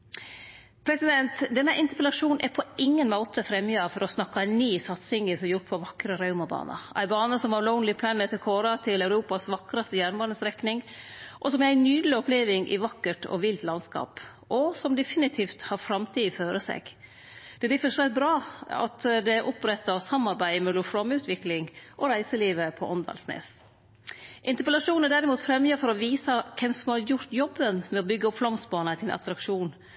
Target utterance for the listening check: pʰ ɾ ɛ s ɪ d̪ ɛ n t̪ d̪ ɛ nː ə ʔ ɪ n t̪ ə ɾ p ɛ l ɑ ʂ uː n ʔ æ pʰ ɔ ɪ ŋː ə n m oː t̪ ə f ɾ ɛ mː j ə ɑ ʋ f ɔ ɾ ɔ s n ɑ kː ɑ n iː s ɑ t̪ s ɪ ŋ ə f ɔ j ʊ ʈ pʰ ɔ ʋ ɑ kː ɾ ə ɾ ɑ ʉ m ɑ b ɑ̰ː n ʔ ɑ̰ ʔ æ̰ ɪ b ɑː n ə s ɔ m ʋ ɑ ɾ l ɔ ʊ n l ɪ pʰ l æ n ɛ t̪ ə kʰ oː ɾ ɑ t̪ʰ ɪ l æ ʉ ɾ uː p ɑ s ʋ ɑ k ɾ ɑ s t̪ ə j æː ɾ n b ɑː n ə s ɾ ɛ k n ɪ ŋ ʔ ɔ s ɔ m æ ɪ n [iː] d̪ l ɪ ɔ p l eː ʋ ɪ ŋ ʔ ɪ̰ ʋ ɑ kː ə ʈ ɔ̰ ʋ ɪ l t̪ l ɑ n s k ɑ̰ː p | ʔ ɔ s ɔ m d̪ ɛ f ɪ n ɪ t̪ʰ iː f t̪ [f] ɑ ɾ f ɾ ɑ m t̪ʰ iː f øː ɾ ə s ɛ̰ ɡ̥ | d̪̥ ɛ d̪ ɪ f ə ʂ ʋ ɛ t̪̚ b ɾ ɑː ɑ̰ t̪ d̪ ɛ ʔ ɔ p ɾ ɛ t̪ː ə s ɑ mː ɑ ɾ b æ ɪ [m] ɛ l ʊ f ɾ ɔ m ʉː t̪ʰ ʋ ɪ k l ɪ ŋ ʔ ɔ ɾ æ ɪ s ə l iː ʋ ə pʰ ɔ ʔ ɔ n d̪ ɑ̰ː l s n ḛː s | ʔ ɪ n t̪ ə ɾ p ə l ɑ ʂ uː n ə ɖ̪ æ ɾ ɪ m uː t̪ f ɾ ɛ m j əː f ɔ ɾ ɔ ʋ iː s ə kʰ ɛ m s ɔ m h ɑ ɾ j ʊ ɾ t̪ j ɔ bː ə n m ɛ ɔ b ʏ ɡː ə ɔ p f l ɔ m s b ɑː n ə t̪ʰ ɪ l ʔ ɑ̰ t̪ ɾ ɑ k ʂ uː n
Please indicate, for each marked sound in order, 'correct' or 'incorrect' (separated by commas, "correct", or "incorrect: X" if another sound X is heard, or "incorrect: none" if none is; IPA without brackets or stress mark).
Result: incorrect: yː, incorrect: h, correct